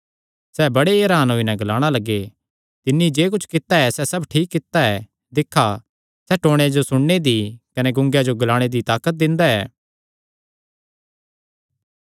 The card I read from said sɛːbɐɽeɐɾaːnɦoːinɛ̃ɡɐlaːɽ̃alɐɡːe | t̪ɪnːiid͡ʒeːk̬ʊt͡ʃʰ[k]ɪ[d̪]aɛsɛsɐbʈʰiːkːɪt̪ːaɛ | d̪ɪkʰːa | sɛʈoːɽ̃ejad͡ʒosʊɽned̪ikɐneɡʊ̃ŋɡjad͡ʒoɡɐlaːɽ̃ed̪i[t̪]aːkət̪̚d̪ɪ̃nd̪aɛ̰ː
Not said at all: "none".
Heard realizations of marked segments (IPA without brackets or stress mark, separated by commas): k, t̪, t̪